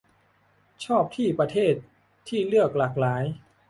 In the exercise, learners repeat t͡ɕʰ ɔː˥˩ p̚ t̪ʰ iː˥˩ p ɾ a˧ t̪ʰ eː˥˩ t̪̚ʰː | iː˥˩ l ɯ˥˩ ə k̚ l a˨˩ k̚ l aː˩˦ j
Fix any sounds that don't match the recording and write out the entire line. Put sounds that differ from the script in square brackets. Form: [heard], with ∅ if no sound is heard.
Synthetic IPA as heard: t͡ɕʰ ɔː˥˩ p̚ t̪ʰ iː˥˩ p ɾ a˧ t̪ʰ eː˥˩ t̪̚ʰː | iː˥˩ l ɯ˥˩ ə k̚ l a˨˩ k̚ l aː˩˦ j